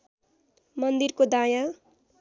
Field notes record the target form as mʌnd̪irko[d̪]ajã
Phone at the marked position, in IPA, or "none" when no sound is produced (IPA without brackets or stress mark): d̪